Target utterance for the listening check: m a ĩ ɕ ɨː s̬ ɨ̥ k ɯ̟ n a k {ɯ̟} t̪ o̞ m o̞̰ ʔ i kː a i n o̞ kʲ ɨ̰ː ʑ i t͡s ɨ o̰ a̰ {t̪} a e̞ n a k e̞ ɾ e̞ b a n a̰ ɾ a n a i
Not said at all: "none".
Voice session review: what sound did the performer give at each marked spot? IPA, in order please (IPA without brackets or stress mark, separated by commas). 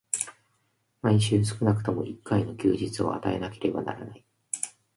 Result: ɯ̟, t̪